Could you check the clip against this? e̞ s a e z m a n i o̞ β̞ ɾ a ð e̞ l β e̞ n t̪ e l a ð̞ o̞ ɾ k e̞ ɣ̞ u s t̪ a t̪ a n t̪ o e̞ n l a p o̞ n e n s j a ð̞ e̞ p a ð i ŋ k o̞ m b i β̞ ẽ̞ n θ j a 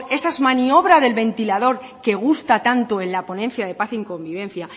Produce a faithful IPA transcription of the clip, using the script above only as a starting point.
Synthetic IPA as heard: e̞ s a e z m a n i o̞ β̞ ɾ a ð e̞ l β e̞ n t̪ i l a ð̞ o̞ ɾ k e̞ ɣ̞ u s t̪ a t̪ a n t̪ o e̞ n l a p o̞ n e n θ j a ð̞ e̞ p a θ i ŋ k o̞ m b i β̞ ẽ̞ n θ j a